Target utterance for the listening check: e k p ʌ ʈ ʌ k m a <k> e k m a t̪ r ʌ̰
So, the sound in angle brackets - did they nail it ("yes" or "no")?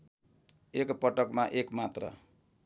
no